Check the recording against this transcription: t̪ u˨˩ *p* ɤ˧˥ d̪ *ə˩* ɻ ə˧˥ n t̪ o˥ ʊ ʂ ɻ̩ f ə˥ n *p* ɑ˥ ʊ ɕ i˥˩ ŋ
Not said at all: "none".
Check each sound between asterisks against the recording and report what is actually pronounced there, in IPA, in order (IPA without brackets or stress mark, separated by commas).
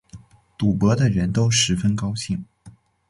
p, ə˧, k